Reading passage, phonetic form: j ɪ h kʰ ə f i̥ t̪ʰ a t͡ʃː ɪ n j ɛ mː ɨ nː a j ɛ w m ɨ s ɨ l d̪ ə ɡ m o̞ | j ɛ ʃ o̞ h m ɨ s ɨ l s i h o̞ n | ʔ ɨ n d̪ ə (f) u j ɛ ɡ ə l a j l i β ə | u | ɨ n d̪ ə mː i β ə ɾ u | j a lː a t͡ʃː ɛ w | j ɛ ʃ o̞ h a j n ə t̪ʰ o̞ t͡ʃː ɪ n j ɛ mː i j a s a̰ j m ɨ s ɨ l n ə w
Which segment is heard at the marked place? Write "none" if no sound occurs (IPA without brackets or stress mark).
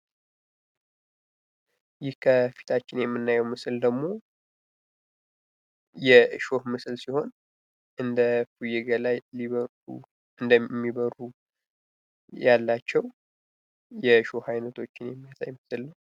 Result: f